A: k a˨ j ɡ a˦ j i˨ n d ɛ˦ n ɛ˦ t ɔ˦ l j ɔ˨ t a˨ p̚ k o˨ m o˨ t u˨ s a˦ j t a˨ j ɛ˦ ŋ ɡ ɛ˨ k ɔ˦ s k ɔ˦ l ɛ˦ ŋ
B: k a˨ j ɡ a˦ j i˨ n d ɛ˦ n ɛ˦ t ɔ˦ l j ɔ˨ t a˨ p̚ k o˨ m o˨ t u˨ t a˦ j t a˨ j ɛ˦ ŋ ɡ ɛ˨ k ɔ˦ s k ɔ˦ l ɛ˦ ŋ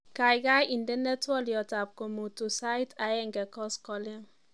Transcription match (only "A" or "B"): A